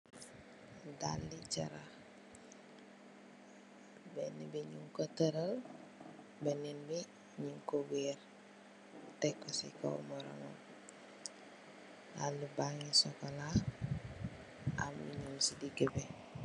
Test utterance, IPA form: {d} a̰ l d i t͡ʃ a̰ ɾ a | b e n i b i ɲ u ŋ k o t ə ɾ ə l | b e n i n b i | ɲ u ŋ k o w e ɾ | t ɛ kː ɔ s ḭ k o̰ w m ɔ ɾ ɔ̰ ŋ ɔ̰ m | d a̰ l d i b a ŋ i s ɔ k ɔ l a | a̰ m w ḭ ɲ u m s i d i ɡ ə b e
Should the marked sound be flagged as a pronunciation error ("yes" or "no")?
no